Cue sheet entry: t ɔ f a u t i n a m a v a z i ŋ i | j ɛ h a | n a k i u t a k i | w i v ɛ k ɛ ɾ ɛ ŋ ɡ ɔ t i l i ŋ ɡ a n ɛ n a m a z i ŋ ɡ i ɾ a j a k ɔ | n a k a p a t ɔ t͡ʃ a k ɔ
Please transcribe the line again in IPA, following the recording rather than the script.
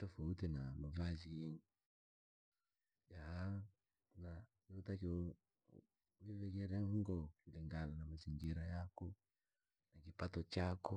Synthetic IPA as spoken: t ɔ f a u t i n a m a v a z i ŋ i | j a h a | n a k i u t a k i | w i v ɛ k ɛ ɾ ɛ ŋ ɡ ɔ k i l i ŋ ɡ a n a n a m a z i ŋ ɡ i ɾ a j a k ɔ | n a k i p a t ɔ t͡ʃ a k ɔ